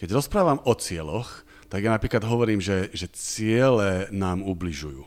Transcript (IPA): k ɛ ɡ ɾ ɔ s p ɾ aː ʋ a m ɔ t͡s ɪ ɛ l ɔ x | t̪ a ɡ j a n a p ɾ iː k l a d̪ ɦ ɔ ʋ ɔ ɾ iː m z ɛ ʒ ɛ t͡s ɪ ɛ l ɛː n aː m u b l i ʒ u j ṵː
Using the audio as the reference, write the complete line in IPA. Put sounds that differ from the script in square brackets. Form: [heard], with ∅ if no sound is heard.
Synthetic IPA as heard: k ɛ [ɟ] ɾ ɔ s p ɾ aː ʋ a m ɔ t͡s ɪ ɛ l ɔ x | t̪ a ɡ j a n a p ɾ iː k l a d̪ ɦ ɔ ʋ ɔ ɾ iː m [ʒ] ɛ ʒ ɛ t͡s ɪ ɛ l [ɛ] n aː m u b l i ʒ u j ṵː